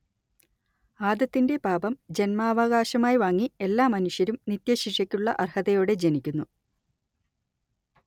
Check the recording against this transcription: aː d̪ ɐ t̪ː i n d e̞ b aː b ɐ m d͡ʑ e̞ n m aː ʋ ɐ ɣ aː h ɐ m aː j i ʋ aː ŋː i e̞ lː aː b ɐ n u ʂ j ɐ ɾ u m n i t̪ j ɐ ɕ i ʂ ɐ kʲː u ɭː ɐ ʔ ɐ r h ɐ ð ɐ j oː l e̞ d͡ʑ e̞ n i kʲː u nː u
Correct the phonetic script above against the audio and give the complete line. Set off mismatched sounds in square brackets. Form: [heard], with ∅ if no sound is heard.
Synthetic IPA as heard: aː d̪ ɐ t̪ː i n d e̞ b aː b ɐ m d͡ʑ e̞ n m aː ʋ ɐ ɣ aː [ɕ] ɐ m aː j i ʋ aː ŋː i e̞ lː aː [m] ɐ n u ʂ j ɐ ɾ u m n i t̪ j ɐ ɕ i ʂ ɐ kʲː u ɭː ɐ ʔ ɐ r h ɐ ð ɐ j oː [ɽ] e̞ d͡ʑ e̞ n i kʲː u nː u

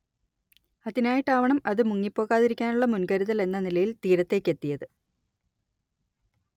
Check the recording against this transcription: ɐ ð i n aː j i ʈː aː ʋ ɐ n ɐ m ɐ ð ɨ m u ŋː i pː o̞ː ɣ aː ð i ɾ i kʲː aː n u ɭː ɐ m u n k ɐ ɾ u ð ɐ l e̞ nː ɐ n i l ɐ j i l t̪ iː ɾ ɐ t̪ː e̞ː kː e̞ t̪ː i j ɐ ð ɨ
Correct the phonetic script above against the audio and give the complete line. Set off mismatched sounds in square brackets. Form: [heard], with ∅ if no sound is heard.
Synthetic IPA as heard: ɐ ð i n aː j i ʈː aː ʋ ɐ [ɳ] ɐ m ɐ ð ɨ m u ŋː i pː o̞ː ɣ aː ð i ɾ i kʲː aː n u ɭː ɐ m u n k ɐ ɾ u ð ɐ l e̞ nː ɐ n i l ɐ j i l t̪ iː ɾ ɐ t̪ː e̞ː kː e̞ t̪ː i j ɐ ð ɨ

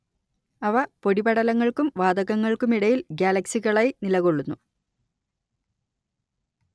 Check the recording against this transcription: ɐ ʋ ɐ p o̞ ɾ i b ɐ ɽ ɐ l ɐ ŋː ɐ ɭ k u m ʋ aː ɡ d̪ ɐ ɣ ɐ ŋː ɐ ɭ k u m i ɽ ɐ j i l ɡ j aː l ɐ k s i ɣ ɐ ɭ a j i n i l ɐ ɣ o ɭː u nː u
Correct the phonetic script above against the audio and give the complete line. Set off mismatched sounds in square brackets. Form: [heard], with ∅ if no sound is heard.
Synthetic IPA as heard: ɐ ʋ ɐ p o̞ [ɽ] i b ɐ ɽ ɐ l ɐ ŋː ɐ ɭ k u m ʋ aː [∅] d̪ ɐ ɣ ɐ ŋː ɐ ɭ k u m i ɽ ɐ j i l ɡ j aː l ɐ k s i ɣ ɐ ɭ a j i n i l ɐ ɣ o ɭː u nː u

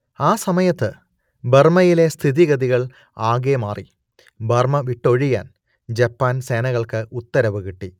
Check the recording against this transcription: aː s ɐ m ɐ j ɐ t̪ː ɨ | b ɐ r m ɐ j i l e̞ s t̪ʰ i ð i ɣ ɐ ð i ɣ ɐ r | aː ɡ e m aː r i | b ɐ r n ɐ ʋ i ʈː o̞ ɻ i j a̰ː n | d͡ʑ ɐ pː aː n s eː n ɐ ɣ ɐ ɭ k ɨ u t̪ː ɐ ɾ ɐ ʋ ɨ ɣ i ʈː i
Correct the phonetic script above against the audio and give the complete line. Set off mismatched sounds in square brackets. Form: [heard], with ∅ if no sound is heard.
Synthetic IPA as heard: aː s ɐ m ɐ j ɐ t̪ː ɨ | b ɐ r m ɐ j i l e̞ s t̪ʰ i ð i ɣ ɐ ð i ɣ ɐ [ɭ] | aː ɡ e m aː r i | b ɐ r [m] ɐ ʋ i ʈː o̞ ɻ i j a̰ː n | d͡ʑ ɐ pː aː n s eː n ɐ ɣ ɐ ɭ k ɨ u t̪ː ɐ ɾ ɐ ʋ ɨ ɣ i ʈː i

